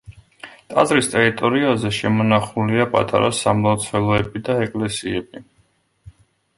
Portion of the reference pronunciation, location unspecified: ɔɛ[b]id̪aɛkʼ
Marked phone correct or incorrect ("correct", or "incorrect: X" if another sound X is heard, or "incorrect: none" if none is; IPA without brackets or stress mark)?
correct